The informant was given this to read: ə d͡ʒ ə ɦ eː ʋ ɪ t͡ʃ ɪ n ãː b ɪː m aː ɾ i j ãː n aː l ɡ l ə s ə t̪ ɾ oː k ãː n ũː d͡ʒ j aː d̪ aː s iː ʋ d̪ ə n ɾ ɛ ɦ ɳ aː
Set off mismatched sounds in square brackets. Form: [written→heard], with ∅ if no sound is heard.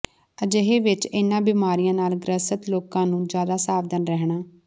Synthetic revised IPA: ə d͡ʒ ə ɦ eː ʋ ɪ t͡ʃ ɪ n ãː b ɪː m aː ɾ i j ãː n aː l ɡ [l→ɾ] ə s ə t̪ [ɾ→l] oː k ãː n ũː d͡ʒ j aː d̪ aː s [iː→aː] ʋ d̪ ə n ɾ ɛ ɦ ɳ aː

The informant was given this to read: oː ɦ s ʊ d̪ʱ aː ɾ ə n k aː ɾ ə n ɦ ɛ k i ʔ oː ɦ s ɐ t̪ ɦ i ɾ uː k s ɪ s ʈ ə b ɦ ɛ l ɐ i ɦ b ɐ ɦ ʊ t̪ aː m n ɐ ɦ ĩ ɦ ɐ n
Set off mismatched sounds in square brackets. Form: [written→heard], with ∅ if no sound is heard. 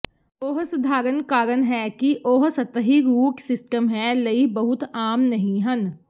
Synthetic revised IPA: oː ɦ s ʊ d̪ʱ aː ɾ ə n k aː ɾ ə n ɦ ɛ k i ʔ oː ɦ s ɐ t̪ ɦ i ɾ uː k s ɪ s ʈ ə [b→m] ɦ ɛ l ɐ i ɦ b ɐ ɦ ʊ t̪ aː m n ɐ ɦ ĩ ɦ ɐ n

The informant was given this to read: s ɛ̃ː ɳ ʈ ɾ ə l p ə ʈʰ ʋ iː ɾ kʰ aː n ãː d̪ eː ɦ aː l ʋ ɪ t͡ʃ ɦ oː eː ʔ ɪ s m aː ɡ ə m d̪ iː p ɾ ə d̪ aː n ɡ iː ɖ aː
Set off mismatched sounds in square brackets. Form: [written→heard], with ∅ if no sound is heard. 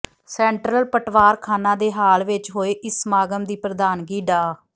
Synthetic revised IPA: s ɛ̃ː ɳ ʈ ɾ ə l p ə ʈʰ ʋ [iː→aː] ɾ kʰ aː n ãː d̪ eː ɦ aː l ʋ ɪ t͡ʃ ɦ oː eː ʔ ɪ s m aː ɡ ə m d̪ iː p ɾ ə d̪ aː n ɡ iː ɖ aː

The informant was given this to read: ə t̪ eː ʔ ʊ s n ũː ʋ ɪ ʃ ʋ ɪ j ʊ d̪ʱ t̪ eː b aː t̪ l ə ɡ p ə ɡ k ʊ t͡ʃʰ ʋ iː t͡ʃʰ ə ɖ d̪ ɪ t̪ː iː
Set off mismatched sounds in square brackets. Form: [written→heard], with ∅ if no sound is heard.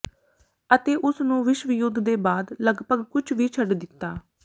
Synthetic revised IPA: ə t̪ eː ʔ ʊ s n ũː ʋ ɪ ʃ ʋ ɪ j ʊ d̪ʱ [t̪→d̪] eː b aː [t̪→d̪] l ə ɡ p ə ɡ k ʊ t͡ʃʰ ʋ iː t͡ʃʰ ə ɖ d̪ ɪ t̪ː [iː→aː]

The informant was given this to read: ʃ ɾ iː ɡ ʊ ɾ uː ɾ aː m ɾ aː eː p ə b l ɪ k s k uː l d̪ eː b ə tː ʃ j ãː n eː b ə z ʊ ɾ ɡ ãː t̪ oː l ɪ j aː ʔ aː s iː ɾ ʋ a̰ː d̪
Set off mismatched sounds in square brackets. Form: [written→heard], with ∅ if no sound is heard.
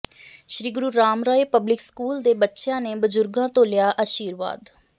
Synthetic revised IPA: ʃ ɾ iː ɡ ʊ ɾ uː ɾ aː m ɾ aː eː p ə b l ɪ k s k uː l d̪ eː b ə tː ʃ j ãː n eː b ə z ʊ ɾ ɡ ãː t̪ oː l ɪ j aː ʔ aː [s→ʃ] iː ɾ ʋ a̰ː d̪

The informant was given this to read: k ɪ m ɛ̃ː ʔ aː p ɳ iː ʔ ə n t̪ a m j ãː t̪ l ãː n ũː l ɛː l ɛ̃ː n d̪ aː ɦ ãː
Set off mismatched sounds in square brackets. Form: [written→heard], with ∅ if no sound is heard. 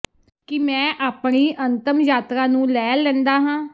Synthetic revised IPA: k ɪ m ɛ̃ː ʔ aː p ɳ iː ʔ ə n t̪ [a→ə] m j [ãː→aː] t̪ [l→ɾ] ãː n ũː l ɛː l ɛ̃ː n d̪ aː ɦ ãː

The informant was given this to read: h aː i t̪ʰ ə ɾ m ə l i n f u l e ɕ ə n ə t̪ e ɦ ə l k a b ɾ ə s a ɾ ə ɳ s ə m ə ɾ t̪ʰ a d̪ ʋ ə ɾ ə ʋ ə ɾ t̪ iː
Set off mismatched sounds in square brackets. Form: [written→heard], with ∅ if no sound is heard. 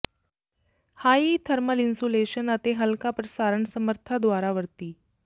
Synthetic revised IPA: h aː i t̪ʰ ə ɾ m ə l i n [f→s] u l e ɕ ə n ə t̪ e ɦ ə l k a [b→p] ɾ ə s a ɾ ə ɳ s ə m ə ɾ t̪ʰ a d̪ ʋ [ə→a] ɾ [ə→a] ʋ ə ɾ t̪ iː

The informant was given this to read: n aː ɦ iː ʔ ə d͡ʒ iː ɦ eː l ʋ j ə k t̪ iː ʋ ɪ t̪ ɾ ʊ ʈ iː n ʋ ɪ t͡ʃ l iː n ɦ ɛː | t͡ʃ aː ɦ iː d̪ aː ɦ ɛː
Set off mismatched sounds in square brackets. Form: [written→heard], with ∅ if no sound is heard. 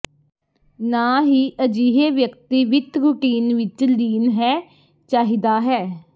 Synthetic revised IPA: n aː ɦ iː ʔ ə d͡ʒ iː ɦ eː [l→∅] ʋ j ə k t̪ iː ʋ ɪ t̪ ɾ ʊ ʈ iː n ʋ ɪ t͡ʃ l iː n ɦ ɛː | t͡ʃ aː ɦ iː d̪ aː ɦ ɛː

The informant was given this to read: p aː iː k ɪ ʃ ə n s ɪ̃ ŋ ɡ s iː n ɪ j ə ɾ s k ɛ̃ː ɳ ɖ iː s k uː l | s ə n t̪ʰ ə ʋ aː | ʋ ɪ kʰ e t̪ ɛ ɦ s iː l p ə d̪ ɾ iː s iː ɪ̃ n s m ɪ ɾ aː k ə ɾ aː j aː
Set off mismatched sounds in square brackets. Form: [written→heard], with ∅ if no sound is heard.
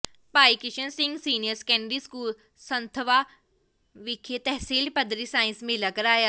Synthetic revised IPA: p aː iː k ɪ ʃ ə n s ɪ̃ ŋ ɡ s iː n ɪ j ə ɾ s k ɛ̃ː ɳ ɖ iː s k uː l | s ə n t̪ʰ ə ʋ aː | ʋ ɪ kʰ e t̪ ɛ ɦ s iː l p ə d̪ ɾ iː s [iː→aː] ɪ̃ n s m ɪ [ɾ→l] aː k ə ɾ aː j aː

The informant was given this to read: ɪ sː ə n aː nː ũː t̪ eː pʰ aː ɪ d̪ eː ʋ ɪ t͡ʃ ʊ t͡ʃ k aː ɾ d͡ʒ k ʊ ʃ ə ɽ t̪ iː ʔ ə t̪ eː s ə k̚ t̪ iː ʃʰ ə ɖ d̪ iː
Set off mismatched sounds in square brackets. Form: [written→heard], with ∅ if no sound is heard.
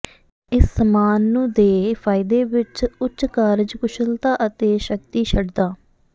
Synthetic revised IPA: ɪ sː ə [n→m] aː nː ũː [t̪→d̪] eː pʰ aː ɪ d̪ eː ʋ ɪ t͡ʃ ʊ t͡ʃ k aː ɾ d͡ʒ k ʊ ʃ ə [ɽ→l] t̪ [iː→aː] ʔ ə t̪ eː [s→ʃ] ə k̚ t̪ iː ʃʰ ə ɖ d̪ [iː→aː]

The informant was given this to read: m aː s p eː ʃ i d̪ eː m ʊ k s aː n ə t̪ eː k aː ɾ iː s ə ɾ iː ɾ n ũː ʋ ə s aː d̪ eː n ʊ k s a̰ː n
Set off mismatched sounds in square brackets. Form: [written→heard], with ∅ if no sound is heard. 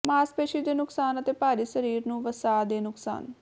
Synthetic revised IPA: m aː s p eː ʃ i d̪ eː [m→n] ʊ k s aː n ə t̪ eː [k→p] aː ɾ iː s ə ɾ iː ɾ n ũː ʋ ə s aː d̪ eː n ʊ k s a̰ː n

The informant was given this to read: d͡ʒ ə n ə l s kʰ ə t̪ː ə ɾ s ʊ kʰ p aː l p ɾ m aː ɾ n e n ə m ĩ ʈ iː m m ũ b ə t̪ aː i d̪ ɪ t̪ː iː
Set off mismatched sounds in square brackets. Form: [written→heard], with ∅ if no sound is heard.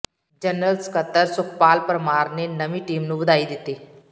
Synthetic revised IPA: d͡ʒ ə n ə l s [kʰ→k] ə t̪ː ə ɾ s ʊ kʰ p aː l p ɾ m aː ɾ n e n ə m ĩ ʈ iː m [m→n] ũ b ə [t̪→d̪] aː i d̪ ɪ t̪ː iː

